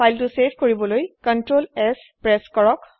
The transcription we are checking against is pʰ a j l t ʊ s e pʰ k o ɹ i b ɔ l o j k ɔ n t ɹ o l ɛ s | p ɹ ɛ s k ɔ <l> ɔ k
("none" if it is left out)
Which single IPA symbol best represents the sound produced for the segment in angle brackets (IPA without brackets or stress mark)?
ɹ